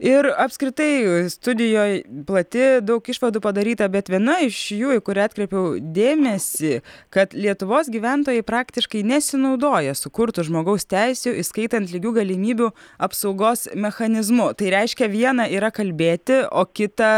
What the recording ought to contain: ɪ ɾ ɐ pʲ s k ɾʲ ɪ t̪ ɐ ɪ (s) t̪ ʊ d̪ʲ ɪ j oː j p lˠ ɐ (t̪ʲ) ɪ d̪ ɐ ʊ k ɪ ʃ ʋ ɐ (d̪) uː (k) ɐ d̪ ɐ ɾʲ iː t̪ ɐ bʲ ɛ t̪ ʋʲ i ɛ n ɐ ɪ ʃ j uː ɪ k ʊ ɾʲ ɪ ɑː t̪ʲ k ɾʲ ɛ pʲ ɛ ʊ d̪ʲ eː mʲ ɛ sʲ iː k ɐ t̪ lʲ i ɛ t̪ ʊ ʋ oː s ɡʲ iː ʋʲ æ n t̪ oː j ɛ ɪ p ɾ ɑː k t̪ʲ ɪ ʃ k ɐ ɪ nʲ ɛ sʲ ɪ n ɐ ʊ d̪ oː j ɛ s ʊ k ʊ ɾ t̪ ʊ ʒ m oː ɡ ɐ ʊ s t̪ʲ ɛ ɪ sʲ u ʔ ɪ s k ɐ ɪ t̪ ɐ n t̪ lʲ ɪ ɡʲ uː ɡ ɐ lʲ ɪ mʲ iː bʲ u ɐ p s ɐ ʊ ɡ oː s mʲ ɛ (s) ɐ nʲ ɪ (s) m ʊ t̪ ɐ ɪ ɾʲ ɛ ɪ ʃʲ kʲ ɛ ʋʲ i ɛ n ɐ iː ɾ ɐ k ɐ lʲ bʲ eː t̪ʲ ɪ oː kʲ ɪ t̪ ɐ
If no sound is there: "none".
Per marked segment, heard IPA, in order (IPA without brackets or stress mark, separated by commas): s, t̪ʲ, d̪, p, x, z